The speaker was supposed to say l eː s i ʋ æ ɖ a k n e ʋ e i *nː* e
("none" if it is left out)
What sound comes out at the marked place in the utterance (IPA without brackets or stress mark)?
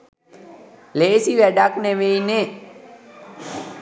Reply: n